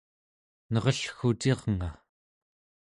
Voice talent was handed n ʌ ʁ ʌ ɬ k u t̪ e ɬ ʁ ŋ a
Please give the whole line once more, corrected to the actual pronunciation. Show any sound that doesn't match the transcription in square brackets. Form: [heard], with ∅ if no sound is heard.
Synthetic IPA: n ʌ ʁ ʌ ɬ [x] u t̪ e [∅] ʁ ŋ a